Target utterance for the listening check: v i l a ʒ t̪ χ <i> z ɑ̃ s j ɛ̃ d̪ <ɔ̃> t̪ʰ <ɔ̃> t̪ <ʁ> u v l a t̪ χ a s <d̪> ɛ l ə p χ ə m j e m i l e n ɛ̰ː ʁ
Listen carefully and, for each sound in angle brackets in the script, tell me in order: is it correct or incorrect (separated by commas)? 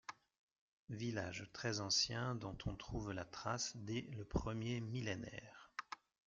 incorrect, correct, correct, incorrect, correct